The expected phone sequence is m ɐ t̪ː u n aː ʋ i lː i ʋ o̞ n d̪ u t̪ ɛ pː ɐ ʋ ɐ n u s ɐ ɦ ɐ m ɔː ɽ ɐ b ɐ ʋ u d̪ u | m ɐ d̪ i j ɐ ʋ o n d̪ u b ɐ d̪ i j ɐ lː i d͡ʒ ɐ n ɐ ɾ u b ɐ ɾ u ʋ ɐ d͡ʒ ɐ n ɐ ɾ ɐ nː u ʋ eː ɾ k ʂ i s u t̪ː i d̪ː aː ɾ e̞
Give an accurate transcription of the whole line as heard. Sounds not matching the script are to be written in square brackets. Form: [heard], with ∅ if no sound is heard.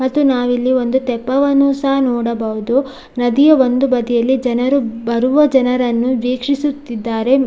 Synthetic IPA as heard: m ɐ t̪ː u n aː ʋ i lː i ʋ o̞ n d̪ u t̪ ɛ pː ɐ ʋ ɐ n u s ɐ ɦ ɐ [n] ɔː ɽ ɐ b ɐ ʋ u d̪ u | [n] ɐ d̪ i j ɐ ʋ o n d̪ u b ɐ d̪ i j ɐ lː i d͡ʒ ɐ n ɐ ɾ u b ɐ ɾ u ʋ ɐ d͡ʒ ɐ n ɐ ɾ ɐ nː u ʋ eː [∅] k ʂ i s u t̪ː i d̪ː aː ɾ e̞